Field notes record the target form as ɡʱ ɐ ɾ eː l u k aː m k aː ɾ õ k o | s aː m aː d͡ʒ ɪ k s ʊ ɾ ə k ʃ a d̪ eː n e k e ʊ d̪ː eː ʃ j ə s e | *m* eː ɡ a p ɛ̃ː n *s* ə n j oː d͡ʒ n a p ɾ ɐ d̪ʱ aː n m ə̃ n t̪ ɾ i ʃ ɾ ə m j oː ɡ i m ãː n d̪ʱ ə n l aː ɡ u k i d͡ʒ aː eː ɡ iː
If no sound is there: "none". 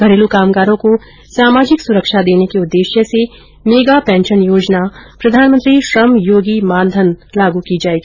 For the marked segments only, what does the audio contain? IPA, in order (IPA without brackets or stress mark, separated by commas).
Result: m, ʃ